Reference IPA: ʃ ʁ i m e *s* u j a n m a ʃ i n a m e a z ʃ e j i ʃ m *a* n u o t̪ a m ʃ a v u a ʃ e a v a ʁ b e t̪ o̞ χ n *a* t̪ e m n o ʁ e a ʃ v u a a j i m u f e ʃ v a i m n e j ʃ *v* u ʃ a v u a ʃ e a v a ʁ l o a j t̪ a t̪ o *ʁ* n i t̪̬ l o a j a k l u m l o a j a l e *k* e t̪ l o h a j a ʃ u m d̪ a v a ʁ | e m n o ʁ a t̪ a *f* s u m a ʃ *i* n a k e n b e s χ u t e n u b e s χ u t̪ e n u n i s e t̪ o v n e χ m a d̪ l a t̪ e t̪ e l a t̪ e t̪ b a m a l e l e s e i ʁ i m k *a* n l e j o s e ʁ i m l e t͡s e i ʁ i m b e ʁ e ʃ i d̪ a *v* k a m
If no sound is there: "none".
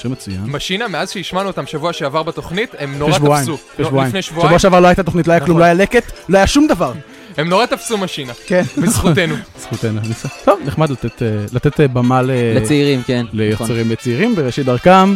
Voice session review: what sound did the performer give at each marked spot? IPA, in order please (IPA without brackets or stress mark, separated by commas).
t͡s, a, i, v, χ, k, f, i, e, ʁ